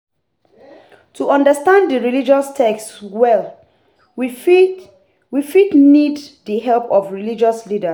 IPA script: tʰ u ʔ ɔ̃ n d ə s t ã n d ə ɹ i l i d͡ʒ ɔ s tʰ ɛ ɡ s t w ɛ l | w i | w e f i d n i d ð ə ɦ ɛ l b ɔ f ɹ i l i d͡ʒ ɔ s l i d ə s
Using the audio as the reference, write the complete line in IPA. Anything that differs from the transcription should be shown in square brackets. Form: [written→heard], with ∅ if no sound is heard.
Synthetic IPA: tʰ u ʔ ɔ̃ n d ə s t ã n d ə ɹ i l i d͡ʒ ɔ s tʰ ɛ [ɡ→k] s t w ɛ l | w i | w [e→i] f i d n i d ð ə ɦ ɛ l [b→p] ɔ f ɹ i l i d͡ʒ ɔ s l i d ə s